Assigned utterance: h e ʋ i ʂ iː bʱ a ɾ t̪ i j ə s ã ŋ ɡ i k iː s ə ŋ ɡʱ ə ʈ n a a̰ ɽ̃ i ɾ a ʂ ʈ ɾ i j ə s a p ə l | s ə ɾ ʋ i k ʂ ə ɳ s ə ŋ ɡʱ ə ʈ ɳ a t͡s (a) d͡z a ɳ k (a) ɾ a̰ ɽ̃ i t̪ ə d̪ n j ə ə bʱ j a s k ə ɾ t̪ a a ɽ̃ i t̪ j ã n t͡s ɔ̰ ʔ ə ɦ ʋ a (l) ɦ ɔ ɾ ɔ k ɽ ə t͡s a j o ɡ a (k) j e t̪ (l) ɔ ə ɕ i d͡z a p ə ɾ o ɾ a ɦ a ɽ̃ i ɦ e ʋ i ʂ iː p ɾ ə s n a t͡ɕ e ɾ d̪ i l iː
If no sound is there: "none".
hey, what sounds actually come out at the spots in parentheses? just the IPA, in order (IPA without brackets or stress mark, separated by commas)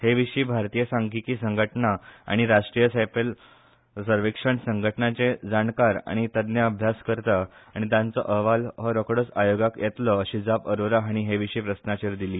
e, a, l, k, l